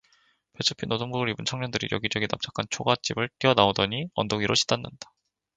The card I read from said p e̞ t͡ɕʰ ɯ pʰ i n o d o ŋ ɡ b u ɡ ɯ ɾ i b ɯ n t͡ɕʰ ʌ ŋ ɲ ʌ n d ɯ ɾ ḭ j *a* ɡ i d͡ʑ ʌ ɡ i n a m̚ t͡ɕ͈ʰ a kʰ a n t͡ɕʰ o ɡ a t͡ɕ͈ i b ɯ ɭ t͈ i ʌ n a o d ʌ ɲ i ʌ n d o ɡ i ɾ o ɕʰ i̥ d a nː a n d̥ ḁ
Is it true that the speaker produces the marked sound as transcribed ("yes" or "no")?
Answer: no